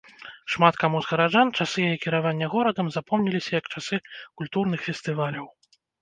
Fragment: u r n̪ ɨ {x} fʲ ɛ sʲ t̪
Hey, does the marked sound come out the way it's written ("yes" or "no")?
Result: yes